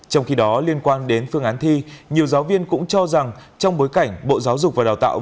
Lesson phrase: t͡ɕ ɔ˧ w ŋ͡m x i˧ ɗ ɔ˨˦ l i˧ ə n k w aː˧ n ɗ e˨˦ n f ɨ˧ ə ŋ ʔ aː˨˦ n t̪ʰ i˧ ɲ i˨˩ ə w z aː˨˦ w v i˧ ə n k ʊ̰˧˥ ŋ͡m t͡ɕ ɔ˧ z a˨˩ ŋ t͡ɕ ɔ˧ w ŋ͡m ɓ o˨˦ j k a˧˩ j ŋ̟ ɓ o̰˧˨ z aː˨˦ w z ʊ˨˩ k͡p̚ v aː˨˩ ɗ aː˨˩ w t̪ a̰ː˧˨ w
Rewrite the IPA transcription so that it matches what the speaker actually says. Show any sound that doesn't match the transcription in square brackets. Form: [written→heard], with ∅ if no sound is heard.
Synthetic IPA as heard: t͡ɕ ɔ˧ w ŋ͡m x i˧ ɗ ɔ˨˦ l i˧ ə n k w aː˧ n ɗ e˨˦ n f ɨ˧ ə ŋ ʔ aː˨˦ n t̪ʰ i˧ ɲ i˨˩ ə w z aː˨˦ w v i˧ ə n k ʊ̰˧˥ ŋ͡m t͡ɕ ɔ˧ z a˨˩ ŋ t͡ɕ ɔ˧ w ŋ͡m ɓ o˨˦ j k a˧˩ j ŋ̟ ɓ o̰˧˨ z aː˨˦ w z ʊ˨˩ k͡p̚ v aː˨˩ ɗ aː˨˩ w t̪ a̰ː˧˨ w